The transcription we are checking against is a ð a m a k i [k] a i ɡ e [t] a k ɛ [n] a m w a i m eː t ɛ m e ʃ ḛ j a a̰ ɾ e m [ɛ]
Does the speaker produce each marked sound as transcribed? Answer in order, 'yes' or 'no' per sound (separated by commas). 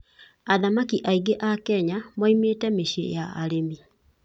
no, no, no, no